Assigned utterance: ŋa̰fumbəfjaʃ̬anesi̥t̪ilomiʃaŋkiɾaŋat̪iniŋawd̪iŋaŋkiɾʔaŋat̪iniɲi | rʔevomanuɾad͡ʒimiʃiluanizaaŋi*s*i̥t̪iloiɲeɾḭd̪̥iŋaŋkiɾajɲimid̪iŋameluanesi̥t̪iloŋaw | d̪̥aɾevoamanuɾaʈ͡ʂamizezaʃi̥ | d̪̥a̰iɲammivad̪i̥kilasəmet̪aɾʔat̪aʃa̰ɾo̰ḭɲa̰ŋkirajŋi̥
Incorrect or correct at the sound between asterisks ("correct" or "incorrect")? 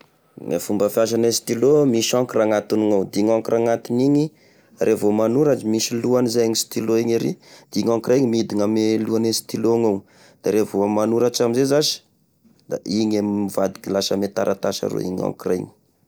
correct